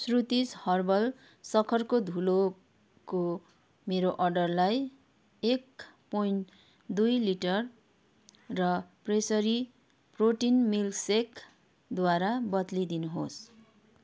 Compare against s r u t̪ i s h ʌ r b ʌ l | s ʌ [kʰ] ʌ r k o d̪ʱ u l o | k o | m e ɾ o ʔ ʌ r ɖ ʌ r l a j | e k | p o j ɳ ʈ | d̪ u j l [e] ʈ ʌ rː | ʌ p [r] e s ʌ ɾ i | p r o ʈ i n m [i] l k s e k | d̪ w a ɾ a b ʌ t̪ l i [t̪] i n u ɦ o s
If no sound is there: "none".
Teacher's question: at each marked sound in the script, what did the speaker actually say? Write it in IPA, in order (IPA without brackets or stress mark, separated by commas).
kʰ, i, r, i, d̪